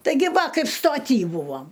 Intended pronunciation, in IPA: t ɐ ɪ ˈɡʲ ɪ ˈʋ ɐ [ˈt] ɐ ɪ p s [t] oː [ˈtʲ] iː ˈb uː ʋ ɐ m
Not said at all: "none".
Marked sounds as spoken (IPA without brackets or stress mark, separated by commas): k, t, tʲ